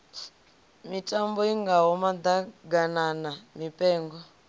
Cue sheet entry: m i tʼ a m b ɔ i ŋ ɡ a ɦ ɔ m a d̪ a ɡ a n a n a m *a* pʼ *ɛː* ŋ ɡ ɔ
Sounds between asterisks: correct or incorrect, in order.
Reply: incorrect: i, correct

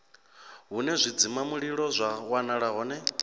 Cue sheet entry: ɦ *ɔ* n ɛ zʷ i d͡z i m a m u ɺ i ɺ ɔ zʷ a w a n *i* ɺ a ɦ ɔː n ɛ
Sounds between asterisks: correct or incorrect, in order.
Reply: incorrect: u, incorrect: a

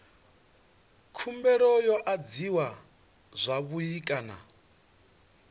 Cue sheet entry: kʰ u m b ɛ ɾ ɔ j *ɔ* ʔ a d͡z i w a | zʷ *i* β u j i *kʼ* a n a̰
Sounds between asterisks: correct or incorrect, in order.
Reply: correct, incorrect: a, correct

